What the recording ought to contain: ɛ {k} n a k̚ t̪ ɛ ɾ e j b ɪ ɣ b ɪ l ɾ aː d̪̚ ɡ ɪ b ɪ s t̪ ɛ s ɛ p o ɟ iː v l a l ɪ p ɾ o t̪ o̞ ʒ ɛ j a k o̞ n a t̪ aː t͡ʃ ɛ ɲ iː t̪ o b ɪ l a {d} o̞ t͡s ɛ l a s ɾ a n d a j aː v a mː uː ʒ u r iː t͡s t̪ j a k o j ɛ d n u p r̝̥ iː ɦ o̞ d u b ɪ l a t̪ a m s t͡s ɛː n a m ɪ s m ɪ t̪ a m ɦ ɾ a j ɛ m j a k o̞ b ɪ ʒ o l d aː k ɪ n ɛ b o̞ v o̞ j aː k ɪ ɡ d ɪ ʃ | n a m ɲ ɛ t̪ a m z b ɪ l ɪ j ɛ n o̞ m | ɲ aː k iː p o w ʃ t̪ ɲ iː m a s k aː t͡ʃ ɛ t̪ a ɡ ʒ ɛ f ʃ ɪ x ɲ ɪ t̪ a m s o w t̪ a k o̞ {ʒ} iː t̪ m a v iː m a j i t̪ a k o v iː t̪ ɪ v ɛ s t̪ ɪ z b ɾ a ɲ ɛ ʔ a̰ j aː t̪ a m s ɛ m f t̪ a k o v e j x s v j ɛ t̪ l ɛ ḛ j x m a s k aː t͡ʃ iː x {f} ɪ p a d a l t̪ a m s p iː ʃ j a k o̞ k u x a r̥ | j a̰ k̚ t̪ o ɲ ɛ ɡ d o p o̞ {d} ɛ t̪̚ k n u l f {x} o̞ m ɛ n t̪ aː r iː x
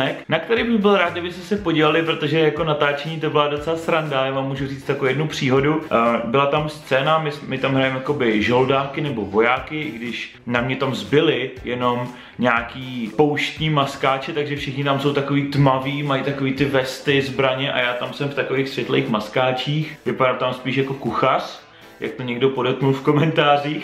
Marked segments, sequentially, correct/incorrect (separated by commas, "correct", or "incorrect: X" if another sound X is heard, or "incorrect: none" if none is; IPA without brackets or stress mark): correct, correct, incorrect: v, incorrect: v, correct, incorrect: k